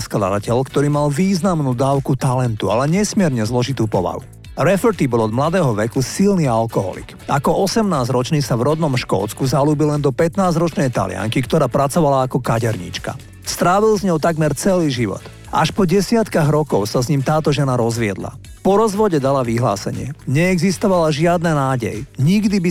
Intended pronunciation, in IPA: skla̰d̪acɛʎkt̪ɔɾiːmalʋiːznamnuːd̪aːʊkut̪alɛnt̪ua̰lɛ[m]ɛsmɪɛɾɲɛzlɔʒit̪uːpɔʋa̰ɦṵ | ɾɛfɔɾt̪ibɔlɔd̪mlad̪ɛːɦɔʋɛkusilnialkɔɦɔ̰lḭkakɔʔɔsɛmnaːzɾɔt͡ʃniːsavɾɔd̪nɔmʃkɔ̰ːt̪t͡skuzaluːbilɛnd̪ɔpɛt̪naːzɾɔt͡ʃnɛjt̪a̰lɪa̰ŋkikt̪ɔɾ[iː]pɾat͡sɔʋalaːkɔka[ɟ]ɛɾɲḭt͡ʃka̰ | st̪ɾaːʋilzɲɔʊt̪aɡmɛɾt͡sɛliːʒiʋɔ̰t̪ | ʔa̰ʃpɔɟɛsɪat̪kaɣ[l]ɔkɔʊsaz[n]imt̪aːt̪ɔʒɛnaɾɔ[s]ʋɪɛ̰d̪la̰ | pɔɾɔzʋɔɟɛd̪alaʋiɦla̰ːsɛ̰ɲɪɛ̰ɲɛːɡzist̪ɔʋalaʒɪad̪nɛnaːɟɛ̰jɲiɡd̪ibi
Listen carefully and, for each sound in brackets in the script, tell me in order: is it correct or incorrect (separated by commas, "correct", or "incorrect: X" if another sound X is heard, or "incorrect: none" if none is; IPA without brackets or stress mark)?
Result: incorrect: ɲ, incorrect: aː, correct, incorrect: ɾ, incorrect: ɲ, incorrect: z